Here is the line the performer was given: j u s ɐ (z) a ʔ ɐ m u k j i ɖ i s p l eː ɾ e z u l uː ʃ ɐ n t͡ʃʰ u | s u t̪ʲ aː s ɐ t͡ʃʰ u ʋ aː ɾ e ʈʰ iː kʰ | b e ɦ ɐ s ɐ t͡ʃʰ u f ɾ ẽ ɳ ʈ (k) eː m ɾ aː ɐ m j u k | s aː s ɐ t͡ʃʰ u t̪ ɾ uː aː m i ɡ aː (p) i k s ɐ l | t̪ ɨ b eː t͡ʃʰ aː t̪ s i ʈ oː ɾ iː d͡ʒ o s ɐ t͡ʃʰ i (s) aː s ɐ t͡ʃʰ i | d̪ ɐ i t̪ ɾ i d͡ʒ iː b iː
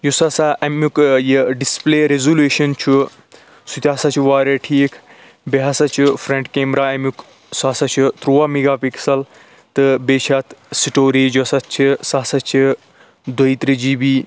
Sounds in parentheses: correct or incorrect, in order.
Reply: incorrect, correct, correct, correct

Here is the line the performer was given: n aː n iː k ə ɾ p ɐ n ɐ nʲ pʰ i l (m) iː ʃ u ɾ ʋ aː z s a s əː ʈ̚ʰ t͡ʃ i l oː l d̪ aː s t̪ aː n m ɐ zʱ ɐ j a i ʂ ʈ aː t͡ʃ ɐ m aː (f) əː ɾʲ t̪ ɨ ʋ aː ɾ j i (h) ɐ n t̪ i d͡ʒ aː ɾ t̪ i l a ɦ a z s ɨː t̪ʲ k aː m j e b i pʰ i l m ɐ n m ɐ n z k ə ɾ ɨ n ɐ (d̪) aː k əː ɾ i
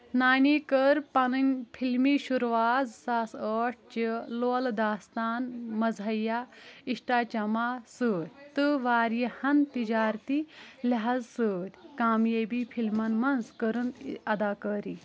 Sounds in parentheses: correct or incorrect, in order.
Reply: correct, incorrect, correct, correct

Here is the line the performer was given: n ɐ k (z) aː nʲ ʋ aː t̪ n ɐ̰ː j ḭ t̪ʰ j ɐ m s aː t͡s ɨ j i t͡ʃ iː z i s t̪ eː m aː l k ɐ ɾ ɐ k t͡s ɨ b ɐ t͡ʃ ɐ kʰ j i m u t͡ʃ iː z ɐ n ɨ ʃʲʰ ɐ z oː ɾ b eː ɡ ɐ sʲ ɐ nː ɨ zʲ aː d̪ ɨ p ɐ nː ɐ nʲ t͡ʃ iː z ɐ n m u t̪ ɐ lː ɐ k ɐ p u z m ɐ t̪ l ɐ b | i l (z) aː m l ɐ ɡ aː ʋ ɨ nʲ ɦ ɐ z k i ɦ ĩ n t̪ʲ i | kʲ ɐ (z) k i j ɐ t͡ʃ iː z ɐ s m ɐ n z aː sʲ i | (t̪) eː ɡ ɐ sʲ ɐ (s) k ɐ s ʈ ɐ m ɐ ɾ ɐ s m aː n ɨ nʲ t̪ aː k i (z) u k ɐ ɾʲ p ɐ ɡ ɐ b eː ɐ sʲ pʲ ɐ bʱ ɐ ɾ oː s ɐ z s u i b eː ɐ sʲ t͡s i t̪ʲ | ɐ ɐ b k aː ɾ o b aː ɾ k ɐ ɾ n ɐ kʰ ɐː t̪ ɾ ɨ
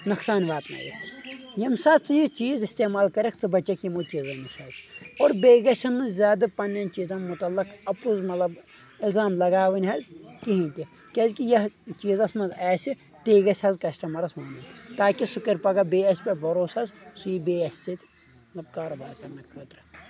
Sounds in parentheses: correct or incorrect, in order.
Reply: incorrect, correct, correct, correct, incorrect, incorrect

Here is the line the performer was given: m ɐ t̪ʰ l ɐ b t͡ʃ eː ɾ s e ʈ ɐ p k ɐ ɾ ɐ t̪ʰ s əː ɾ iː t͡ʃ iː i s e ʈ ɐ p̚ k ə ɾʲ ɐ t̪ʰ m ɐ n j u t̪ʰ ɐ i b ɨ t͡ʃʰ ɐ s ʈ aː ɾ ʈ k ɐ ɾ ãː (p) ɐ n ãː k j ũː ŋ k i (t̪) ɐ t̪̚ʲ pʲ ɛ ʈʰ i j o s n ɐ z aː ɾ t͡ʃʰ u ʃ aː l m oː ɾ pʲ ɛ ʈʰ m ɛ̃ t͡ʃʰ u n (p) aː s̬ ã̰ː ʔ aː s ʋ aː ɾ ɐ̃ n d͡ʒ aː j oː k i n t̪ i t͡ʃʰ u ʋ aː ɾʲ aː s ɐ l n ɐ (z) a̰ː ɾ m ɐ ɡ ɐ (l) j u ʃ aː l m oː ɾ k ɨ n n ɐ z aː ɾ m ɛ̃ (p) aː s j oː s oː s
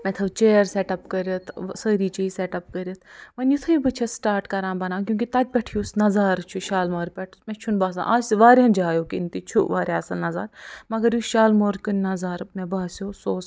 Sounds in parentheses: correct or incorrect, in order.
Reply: incorrect, correct, incorrect, correct, incorrect, incorrect

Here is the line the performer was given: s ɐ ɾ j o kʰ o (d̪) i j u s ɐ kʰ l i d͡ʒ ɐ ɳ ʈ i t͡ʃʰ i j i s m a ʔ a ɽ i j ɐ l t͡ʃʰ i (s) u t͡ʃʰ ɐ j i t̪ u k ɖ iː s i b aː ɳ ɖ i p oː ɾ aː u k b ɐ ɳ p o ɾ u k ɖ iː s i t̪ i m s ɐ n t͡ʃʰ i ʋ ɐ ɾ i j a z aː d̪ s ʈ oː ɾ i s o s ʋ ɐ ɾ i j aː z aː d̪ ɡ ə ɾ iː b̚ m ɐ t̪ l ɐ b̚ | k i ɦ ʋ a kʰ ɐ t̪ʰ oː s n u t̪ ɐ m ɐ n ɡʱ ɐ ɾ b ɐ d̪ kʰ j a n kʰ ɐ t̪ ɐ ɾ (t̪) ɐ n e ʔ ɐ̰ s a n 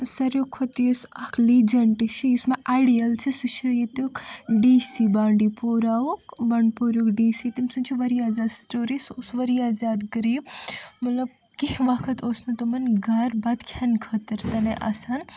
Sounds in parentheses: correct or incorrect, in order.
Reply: incorrect, correct, correct

